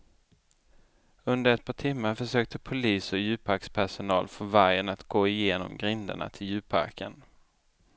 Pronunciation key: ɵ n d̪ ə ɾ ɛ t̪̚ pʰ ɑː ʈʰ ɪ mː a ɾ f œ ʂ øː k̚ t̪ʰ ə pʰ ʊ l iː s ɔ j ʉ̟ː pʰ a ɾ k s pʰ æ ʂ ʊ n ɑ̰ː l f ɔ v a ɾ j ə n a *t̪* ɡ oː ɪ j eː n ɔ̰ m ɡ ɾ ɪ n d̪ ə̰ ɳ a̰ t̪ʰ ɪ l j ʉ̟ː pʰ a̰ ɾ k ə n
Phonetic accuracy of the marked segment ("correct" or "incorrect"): correct